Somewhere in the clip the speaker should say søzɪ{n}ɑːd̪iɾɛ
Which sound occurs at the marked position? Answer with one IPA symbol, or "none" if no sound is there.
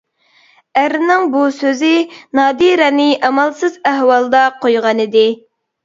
n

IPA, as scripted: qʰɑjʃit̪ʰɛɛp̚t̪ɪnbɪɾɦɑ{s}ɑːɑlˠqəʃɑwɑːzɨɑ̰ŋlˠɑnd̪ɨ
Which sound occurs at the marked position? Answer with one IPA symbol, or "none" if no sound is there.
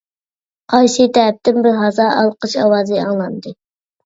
z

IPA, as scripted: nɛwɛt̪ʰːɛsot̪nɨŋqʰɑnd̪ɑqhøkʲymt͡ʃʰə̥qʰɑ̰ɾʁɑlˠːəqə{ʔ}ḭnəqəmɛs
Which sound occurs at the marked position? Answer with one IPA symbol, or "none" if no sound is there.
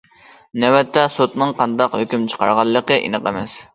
ʔ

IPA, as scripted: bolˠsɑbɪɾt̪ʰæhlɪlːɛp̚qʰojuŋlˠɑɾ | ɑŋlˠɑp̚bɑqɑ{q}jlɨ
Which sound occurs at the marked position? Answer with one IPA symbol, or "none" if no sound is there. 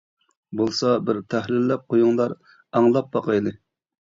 none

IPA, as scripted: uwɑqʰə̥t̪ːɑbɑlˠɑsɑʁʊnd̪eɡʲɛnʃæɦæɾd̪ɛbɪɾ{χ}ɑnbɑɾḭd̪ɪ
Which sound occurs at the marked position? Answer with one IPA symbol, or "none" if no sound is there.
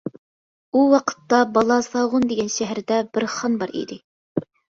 χ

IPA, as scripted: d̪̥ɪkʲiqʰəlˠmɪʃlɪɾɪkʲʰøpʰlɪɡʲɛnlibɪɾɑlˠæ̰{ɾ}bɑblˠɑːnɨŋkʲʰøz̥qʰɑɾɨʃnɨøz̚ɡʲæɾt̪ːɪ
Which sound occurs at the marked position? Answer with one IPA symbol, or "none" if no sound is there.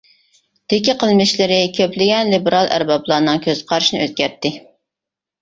ɾ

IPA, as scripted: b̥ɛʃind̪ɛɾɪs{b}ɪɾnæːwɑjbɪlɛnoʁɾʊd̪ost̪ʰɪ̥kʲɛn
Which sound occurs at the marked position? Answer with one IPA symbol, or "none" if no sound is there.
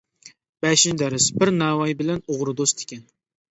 b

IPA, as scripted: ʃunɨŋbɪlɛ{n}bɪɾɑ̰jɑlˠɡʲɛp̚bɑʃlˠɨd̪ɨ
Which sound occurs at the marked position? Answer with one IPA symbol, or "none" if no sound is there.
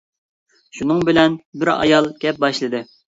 n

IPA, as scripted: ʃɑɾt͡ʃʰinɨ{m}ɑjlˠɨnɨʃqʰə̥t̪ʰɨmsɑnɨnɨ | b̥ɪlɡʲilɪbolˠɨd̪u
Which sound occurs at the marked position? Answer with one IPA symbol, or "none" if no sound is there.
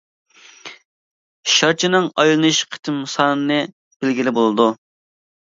ŋ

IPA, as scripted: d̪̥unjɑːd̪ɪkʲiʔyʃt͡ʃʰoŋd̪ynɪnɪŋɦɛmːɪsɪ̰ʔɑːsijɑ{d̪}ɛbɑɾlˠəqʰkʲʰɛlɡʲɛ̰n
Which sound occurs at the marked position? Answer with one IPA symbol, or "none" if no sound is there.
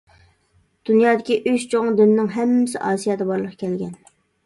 d̪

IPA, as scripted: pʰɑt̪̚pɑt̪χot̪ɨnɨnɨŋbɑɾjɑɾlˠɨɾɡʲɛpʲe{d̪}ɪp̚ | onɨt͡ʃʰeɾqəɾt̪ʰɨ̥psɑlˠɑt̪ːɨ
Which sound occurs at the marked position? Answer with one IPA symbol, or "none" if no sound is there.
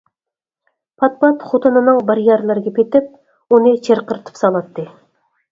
t̪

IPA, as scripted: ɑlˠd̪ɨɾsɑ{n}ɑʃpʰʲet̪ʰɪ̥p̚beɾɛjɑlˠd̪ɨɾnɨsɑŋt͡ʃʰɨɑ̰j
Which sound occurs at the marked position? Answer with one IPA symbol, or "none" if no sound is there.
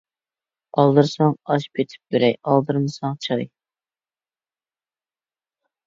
ŋ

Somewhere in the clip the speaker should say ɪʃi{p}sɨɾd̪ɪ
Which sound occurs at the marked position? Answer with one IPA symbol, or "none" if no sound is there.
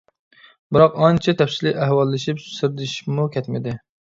p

